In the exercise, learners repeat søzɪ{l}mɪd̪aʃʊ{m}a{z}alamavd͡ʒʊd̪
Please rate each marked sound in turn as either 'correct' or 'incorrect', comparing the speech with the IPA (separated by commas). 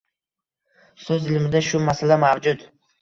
correct, correct, incorrect